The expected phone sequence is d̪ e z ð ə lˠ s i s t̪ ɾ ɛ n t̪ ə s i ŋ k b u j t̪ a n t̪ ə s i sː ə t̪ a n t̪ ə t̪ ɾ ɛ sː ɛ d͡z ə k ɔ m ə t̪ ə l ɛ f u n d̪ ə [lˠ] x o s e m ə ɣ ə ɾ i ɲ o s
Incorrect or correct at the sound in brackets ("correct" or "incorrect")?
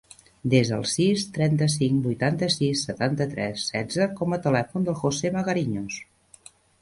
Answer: correct